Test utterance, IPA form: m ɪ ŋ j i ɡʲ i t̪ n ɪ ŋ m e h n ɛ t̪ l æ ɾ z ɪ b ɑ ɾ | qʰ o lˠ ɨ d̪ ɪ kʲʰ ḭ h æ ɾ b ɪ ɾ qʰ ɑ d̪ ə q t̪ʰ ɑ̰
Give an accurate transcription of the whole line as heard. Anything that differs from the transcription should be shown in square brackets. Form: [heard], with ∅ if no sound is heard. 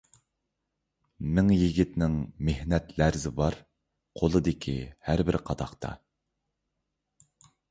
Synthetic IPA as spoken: m ɪ ŋ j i ɡʲ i t̪ n ɪ ŋ m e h n ɛ t̪ l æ ɾ z ɪ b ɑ ɾ | qʰ o lˠ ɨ d̪ ɪ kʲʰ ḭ h æ ɾ b ɪ ɾ qʰ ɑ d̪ [ɑ] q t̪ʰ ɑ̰